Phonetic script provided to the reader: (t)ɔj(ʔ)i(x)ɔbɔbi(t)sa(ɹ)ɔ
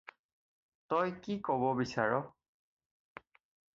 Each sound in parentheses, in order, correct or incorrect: correct, incorrect: k, incorrect: k, incorrect: none, correct

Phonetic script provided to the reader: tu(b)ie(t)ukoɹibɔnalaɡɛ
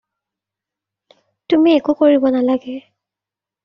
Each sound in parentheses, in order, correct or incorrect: incorrect: m, incorrect: k

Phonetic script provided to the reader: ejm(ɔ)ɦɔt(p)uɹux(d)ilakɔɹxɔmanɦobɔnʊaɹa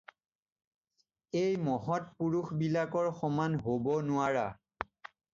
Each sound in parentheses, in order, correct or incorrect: correct, correct, incorrect: b

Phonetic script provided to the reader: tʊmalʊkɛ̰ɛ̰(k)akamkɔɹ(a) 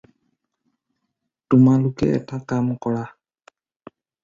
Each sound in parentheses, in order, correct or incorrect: incorrect: t, correct

